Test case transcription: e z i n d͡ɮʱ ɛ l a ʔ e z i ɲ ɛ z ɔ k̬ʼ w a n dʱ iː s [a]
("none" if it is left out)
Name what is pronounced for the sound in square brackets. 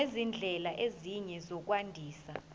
a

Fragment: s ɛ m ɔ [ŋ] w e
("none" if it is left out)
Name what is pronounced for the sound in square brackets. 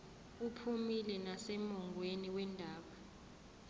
ŋ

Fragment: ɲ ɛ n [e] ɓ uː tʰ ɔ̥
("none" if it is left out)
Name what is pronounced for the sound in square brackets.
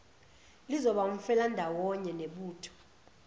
e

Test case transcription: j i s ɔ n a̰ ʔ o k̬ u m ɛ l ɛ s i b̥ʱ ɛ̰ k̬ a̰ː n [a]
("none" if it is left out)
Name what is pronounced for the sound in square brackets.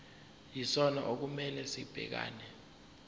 ɛ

